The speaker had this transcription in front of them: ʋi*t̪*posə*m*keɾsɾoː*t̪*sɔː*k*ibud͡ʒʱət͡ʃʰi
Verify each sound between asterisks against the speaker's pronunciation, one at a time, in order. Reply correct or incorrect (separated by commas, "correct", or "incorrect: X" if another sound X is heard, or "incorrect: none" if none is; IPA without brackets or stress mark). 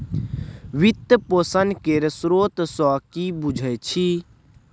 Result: correct, incorrect: n, correct, correct